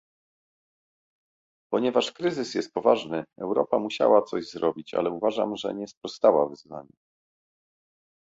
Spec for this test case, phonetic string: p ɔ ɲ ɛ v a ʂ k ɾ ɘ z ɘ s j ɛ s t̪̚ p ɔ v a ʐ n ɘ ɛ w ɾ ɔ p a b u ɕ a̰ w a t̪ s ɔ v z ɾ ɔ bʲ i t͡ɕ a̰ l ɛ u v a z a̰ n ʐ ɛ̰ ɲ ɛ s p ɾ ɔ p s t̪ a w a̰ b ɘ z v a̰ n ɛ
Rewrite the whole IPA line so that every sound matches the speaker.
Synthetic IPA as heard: p ɔ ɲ ɛ v a ʂ k ɾ ɘ z ɘ s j ɛ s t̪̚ p ɔ v a ʐ n ɘ ɛ w ɾ ɔ p a m u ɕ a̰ w a t̪ s ɔ ʑ z ɾ ɔ bʲ i t͡ɕ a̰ l ɛ u v a ʐ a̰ m ʐ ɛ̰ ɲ ɛ s p ɾ ɔ s t̪ a w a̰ v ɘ z v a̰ ɲ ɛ